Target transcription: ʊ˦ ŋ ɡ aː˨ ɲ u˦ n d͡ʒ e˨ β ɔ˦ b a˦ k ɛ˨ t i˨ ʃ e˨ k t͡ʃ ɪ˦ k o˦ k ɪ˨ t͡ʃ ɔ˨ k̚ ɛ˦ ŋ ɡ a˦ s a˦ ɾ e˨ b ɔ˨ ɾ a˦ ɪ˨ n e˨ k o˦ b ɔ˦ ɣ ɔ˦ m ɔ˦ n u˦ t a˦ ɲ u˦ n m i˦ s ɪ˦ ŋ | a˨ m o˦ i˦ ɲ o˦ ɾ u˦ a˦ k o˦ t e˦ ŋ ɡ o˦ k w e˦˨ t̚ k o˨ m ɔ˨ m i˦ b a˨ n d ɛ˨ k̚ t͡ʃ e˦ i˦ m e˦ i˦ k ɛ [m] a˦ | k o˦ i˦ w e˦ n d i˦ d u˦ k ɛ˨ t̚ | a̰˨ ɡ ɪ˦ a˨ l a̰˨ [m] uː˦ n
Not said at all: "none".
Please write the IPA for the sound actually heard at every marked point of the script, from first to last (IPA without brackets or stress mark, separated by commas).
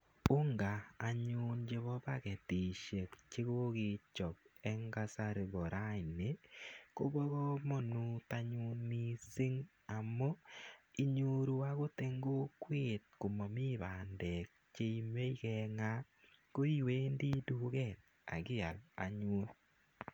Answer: ŋ, ɲ